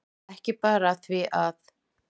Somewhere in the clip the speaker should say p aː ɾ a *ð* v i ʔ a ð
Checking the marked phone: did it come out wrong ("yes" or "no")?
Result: yes